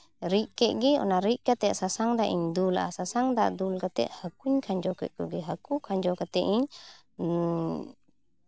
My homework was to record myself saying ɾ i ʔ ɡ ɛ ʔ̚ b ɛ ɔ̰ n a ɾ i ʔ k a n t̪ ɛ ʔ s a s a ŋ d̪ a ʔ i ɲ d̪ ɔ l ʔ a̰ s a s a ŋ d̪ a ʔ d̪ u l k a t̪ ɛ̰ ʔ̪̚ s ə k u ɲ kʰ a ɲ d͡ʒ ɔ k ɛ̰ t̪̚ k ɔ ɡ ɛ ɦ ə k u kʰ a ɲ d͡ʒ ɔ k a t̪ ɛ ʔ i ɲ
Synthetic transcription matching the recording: ɾ i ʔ k ɛ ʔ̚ ɡ ɛ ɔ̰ n a ɾ i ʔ k a t̪ ɛ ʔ s a s a ŋ d̪ a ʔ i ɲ d̪ u l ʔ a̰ s a s a ŋ d̪ a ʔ d̪ u l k a t̪ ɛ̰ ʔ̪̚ h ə k u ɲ kʰ a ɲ d͡ʒ ɔ k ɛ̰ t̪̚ k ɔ ɡ ɛ ɦ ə k u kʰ a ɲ d͡ʒ ɔ k a t̪ ɛ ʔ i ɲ